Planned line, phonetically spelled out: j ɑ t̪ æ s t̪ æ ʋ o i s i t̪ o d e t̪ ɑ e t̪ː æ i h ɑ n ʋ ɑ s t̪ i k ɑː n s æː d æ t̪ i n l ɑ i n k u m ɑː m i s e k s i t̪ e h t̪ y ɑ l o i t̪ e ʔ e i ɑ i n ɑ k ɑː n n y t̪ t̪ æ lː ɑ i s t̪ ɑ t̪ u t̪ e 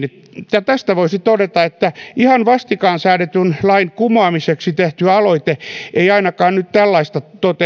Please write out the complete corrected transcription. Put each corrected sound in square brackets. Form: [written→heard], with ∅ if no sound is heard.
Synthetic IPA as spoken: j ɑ t̪ æ s t̪ æ ʋ o i s i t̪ o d e t̪ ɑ e t̪ː æ i h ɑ n ʋ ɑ s t̪ i k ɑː n s æː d [æ→e] t̪ [i→y] n l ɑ i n k u m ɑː m i s e k s i t̪ e h t̪ y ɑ l o i t̪ e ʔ e i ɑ i n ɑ k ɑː n n y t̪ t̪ æ lː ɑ i s t̪ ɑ t̪ [u→o] t̪ e